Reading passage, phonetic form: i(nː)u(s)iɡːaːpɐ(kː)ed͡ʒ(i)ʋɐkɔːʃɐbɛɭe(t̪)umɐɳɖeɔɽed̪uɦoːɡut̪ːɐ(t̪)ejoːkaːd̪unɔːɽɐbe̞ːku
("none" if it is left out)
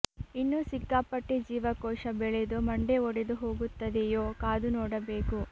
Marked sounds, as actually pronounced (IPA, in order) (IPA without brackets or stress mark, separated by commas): nː, s, ʈː, iː, d̪, d̪